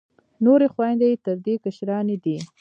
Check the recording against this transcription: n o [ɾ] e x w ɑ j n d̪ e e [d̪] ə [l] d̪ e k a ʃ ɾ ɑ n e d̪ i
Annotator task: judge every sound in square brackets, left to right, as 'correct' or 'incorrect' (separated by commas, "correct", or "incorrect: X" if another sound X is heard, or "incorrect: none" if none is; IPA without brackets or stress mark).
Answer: correct, incorrect: t̪, incorrect: ɾ